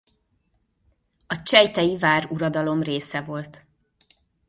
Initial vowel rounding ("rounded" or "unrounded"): rounded